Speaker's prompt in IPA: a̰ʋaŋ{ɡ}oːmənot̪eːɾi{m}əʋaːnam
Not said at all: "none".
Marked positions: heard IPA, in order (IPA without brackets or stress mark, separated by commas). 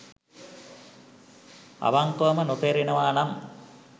k, n